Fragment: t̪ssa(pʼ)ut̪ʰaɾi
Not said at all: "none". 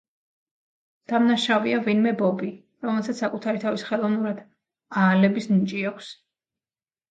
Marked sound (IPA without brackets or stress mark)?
kʼ